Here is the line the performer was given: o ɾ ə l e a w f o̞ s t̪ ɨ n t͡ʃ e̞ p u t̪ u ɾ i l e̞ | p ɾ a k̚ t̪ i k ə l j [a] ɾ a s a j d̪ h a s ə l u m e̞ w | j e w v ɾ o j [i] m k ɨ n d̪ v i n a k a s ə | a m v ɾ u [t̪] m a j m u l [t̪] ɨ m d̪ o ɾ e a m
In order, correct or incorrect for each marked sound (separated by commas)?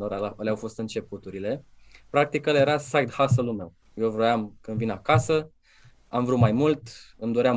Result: incorrect, incorrect, correct, correct